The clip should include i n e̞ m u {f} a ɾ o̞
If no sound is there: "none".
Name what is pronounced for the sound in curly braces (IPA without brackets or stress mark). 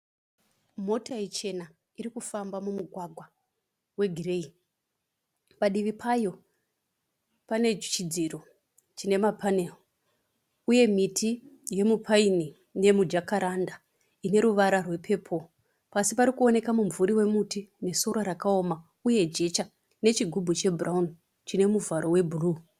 v